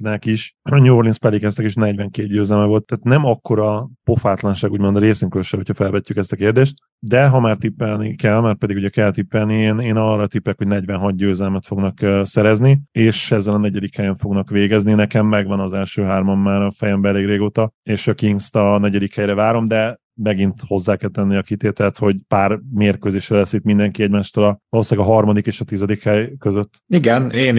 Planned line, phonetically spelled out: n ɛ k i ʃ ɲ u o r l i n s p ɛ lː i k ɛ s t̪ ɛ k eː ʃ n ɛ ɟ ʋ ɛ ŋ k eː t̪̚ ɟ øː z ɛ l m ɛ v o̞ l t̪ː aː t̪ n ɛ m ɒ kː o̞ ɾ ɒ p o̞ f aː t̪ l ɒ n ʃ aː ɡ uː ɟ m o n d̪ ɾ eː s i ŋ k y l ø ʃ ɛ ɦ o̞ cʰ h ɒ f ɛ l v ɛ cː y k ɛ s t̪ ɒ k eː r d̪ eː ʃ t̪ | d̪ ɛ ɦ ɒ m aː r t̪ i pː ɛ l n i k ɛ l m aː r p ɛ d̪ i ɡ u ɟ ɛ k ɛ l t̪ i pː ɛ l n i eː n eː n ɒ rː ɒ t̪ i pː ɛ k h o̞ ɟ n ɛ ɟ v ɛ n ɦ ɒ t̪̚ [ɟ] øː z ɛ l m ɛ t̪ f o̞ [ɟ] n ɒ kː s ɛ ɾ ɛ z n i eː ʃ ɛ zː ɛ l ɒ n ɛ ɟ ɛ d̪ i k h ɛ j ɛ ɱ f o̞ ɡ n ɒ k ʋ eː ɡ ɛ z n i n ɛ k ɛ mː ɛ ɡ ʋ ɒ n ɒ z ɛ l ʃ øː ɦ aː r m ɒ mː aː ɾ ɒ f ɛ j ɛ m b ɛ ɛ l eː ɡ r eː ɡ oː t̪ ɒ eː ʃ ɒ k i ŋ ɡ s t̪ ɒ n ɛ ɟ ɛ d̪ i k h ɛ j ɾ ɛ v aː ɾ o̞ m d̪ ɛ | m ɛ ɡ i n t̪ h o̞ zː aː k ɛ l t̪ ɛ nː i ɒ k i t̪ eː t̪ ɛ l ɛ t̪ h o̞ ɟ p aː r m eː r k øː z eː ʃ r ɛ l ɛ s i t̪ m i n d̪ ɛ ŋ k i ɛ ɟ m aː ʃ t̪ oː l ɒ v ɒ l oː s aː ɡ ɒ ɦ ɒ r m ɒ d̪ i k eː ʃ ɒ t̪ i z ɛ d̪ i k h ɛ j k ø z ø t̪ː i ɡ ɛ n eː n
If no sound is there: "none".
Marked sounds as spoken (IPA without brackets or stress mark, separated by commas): ɟ, ɡ